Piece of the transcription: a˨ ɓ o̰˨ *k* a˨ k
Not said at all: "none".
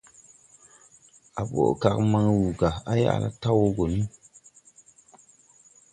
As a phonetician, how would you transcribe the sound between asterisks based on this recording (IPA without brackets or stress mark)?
k